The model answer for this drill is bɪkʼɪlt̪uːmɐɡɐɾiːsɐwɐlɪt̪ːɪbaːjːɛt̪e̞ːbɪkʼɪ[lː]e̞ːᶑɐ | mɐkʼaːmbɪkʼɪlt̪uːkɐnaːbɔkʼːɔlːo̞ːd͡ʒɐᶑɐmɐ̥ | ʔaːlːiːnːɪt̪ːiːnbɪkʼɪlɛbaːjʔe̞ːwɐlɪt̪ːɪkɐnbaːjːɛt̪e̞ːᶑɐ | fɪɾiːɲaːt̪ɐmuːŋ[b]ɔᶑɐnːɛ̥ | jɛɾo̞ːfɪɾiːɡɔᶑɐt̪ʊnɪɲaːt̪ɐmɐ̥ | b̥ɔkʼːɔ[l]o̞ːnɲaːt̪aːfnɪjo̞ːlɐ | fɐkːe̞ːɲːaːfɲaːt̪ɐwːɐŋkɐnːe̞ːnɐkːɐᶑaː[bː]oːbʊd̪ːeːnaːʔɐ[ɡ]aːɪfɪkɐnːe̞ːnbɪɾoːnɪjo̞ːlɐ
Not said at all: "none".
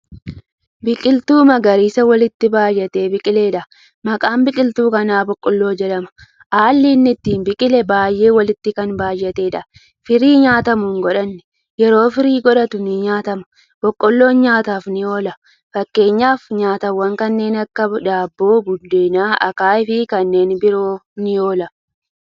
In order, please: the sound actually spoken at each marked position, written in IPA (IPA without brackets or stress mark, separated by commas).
l, ɡ, lː, bː, k